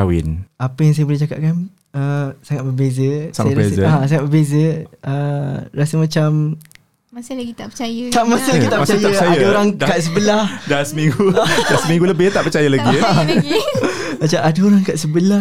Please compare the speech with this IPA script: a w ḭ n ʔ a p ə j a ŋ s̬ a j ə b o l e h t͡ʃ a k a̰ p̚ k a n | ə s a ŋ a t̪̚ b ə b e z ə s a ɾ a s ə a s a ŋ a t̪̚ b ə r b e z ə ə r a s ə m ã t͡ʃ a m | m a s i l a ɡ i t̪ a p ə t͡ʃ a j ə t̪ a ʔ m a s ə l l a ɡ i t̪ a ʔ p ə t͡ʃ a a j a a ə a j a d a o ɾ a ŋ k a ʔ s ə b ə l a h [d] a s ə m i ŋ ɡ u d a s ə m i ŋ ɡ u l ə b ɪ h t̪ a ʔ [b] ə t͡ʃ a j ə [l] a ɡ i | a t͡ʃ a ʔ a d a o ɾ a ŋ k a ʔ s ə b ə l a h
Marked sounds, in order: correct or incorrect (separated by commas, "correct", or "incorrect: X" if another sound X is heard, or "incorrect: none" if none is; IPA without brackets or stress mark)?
correct, incorrect: p, correct